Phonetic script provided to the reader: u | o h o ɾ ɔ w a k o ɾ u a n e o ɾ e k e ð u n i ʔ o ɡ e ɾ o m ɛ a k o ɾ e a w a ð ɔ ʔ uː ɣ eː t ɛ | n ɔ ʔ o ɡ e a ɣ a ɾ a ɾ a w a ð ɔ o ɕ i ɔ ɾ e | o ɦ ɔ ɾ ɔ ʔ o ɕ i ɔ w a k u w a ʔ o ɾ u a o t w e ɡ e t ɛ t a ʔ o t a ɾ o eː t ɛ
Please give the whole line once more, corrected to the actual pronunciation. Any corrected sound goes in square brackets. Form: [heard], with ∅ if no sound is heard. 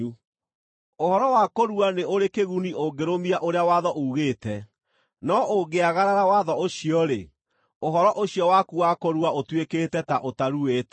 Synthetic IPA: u | o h [ɔ] ɾ ɔ w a k o ɾ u a n e o ɾ e k e [ɣ] u n i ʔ o ɡ e ɾ o m [i] a [ʔ] o ɾ e a w a ð ɔ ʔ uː ɣ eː t ɛ | n ɔ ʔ o ɡ e a ɣ a ɾ a ɾ a w a ð ɔ o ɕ i ɔ ɾ e | o ɦ ɔ ɾ ɔ ʔ o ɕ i ɔ w a k u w a [k] o ɾ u a o t w e [k] e t ɛ t a ʔ o t a ɾ [u] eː t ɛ